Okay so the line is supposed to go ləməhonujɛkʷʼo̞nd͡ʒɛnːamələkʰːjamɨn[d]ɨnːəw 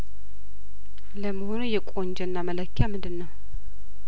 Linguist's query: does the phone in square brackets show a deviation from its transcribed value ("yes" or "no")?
no